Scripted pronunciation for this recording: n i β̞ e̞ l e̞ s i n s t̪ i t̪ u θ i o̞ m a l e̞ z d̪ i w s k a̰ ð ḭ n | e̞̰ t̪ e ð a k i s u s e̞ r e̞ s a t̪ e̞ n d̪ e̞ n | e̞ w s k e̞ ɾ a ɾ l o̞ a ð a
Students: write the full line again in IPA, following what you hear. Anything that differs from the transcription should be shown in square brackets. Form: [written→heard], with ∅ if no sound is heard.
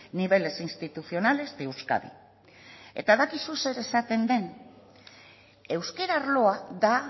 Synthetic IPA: n i β̞ e̞ l e̞ s i n s t̪ i t̪ u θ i o̞ [m→n] a l e̞ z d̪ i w s k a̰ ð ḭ [n→∅] | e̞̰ t̪ [e→a] ð a k i s u s e̞ [r→ɾ] e̞ s a t̪ e̞ n d̪ e̞ n | e̞ w s k e̞ ɾ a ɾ l o̞ a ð a